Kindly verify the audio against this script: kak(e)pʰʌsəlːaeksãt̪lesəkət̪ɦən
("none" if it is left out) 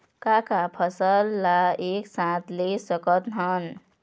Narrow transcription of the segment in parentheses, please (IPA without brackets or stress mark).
a